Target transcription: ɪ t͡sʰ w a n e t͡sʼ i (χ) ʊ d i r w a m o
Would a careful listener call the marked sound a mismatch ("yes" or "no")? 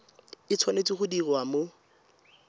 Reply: no